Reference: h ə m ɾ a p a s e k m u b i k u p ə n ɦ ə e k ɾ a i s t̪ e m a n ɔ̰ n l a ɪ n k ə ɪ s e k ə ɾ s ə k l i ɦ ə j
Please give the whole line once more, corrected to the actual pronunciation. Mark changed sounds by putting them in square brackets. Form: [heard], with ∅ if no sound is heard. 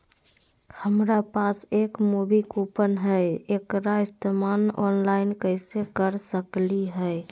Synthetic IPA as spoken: h ə m ɾ a p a s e k m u b i k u p ə n ɦ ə e k ɾ a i s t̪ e m a n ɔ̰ n l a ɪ n k ə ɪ s e k ə ɾ s ə k l i ɦ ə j

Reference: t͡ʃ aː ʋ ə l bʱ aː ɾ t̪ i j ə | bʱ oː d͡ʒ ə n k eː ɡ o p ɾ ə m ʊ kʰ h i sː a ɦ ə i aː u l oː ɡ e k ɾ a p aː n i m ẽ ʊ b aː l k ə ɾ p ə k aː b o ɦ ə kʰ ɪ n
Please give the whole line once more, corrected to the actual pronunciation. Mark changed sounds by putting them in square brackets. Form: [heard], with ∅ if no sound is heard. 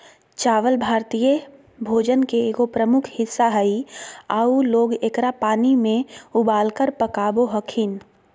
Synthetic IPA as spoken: t͡ʃ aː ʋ ə l bʱ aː ɾ t̪ i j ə | bʱ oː d͡ʒ ə n k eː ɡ o p ɾ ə m ʊ kʰ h [ɪ] sː a ɦ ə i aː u l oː ɡ e k ɾ a p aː n i m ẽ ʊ b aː l k ə ɾ p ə k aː b o ɦ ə kʰ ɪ n

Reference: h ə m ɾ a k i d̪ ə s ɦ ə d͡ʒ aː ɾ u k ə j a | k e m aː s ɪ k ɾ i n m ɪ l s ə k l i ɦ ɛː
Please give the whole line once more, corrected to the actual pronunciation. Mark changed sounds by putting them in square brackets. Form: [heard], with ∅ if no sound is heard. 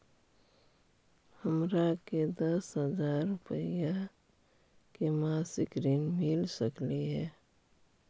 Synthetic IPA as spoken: h ə m ɾ a k [e] d̪ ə s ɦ ə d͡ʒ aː ɾ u [p] ə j a | k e m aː s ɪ k ɾ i n m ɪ l s ə k l i ɦ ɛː

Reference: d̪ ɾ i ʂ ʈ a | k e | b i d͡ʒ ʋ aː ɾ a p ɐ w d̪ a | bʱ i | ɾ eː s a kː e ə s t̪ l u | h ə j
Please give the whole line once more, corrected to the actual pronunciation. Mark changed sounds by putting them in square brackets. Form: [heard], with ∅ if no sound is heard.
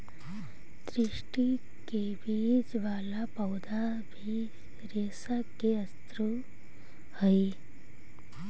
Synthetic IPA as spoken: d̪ ɾ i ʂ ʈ [i] | k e | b i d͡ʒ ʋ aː [l] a p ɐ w d̪ a | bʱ i | ɾ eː s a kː e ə s t̪ [ɾ] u | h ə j

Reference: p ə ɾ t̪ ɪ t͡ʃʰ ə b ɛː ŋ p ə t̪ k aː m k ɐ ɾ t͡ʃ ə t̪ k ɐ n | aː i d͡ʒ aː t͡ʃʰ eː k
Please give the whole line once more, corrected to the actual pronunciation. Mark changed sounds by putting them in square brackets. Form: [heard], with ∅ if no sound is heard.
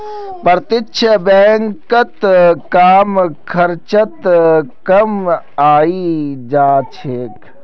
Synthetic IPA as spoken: p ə ɾ t̪ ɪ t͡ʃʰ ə b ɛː ŋ [k] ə t̪ k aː m [kʰ] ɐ ɾ t͡ʃ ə t̪ k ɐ [m] | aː i d͡ʒ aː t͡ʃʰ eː k

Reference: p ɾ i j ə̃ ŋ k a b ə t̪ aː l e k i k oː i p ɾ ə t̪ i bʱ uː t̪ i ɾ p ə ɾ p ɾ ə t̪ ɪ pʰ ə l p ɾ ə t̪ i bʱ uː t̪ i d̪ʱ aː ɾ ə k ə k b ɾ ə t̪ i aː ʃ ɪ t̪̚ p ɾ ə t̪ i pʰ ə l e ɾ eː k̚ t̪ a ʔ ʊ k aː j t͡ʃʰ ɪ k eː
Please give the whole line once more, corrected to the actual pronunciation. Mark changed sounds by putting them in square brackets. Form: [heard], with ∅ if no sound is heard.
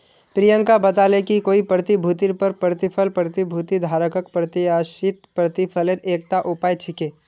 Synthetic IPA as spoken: p ɾ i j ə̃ ŋ k a b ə t̪ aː l e k i k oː i p ɾ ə t̪ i bʱ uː t̪ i ɾ p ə ɾ p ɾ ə t̪ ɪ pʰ ə l p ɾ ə t̪ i bʱ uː t̪ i d̪ʱ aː ɾ ə k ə k [p] ɾ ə t̪ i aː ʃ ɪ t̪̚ p ɾ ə t̪ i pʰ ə l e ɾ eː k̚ t̪ a ʔ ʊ [p] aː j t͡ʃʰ ɪ k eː

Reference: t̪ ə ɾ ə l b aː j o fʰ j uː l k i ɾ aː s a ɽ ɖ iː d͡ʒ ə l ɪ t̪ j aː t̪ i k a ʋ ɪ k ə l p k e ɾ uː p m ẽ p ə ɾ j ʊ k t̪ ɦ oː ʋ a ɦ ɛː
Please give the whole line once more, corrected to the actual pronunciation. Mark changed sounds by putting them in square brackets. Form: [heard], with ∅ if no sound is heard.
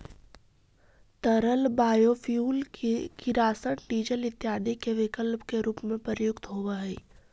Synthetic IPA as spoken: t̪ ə ɾ ə l b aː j o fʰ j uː l k i ɾ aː s [ə] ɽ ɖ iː d͡ʒ ə l ɪ t̪ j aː [d̪] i k [e] ʋ ɪ k ə l p k e ɾ uː p m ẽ p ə ɾ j ʊ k t̪ ɦ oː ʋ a ɦ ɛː

